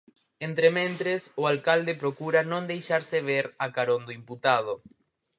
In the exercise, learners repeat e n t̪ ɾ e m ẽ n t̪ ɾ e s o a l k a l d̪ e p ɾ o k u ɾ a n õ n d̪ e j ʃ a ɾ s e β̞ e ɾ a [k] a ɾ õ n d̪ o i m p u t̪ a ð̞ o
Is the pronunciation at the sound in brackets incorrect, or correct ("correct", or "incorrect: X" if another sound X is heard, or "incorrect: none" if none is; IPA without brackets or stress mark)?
correct